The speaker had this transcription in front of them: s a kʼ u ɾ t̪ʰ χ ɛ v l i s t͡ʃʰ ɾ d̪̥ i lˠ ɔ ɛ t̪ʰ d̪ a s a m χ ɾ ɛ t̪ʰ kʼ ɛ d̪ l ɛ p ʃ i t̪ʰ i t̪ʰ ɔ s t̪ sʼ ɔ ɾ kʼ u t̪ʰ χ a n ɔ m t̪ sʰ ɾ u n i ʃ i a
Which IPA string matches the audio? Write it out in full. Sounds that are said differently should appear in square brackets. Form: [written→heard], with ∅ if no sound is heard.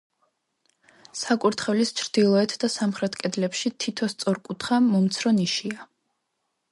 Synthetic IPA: s a kʼ u ɾ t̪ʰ χ ɛ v l i s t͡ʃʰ ɾ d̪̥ i lˠ ɔ ɛ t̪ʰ d̪ a s a m χ ɾ ɛ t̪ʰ kʼ ɛ d̪ l ɛ p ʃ i t̪ʰ i t̪ʰ ɔ s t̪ sʼ ɔ ɾ kʼ u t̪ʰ χ a [n→m] ɔ m t̪ sʰ ɾ [u→ɔ] n i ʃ i a